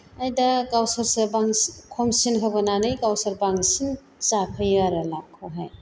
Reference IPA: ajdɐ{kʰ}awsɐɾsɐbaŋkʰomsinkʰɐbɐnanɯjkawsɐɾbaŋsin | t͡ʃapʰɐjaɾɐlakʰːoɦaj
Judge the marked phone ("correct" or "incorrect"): incorrect